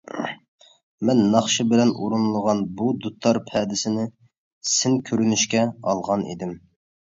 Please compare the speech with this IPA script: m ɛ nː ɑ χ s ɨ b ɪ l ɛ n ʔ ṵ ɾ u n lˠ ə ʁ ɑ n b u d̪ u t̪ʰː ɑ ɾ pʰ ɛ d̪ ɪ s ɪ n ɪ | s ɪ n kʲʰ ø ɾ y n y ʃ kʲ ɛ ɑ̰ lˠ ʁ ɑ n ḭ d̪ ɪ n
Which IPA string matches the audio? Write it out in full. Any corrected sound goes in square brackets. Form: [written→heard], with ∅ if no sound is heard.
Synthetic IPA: m ɛ nː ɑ χ [s→ʃ] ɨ b ɪ l ɛ n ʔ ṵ ɾ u n lˠ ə ʁ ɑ n b u d̪ u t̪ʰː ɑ ɾ pʰ ɛ d̪ ɪ s ɪ n ɪ | s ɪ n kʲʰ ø ɾ y n y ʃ kʲ ɛ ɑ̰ lˠ ʁ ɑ n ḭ d̪ ɪ [n→m]

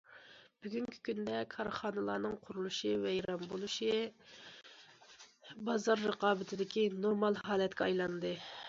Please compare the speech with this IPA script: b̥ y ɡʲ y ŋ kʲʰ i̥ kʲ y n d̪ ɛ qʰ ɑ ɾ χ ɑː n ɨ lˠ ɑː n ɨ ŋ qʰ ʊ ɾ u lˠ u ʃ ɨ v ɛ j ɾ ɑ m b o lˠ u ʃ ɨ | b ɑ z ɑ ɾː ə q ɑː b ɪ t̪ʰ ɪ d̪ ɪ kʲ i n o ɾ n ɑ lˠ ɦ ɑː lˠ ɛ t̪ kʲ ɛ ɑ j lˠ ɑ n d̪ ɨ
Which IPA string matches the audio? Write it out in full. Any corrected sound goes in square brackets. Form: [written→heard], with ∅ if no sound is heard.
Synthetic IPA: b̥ y ɡʲ y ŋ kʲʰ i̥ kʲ y n d̪ ɛ [qʰ→kʰ] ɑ ɾ χ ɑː n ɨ lˠ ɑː n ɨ ŋ qʰ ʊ ɾ u lˠ u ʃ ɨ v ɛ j ɾ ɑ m b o lˠ u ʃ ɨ | b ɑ z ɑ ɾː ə q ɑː b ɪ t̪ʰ ɪ d̪ ɪ kʲ i n o ɾ [n→m] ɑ lˠ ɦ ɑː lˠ ɛ t̪ kʲ ɛ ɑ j lˠ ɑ n d̪ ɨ

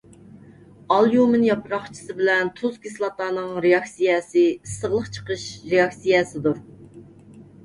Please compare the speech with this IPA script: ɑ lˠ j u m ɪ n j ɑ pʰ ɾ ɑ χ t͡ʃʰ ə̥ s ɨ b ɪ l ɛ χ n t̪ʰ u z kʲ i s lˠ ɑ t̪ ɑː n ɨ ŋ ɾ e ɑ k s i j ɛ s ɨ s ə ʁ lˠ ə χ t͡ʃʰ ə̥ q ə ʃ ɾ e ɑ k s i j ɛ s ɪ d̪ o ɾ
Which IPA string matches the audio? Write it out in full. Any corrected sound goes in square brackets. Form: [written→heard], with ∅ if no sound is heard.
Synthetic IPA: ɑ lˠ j u m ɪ n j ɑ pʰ ɾ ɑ χ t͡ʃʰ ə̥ s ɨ b ɪ l ɛ [χ→∅] n t̪ʰ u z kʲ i s lˠ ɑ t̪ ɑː n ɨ ŋ ɾ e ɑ k s i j ɛ s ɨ s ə ʁ lˠ ə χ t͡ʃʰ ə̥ q ə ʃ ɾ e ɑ k s i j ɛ s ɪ d̪ [o→u] ɾ

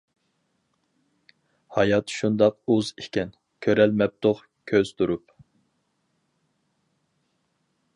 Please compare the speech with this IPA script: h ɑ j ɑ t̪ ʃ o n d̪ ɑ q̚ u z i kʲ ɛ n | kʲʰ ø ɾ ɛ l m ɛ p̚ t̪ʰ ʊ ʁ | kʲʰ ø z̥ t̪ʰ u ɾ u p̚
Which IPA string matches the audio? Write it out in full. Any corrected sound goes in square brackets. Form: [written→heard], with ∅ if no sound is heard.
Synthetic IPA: h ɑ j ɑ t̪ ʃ [o→u] n d̪ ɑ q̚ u z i kʲ ɛ n | kʲʰ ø ɾ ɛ l m ɛ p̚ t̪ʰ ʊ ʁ | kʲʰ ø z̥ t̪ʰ u ɾ u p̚

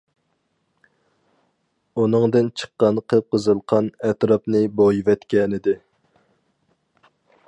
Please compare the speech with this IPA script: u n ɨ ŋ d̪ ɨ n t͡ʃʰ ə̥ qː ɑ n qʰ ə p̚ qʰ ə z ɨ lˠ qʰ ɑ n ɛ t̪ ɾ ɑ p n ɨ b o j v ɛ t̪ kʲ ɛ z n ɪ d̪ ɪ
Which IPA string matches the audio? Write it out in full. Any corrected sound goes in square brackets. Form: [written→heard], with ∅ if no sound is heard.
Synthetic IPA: u n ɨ ŋ d̪ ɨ n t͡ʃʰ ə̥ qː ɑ n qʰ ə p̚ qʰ ə z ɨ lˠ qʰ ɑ n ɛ t̪ ɾ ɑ p n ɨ b o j v ɛ t̪ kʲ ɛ [z→∅] n ɪ d̪ ɪ

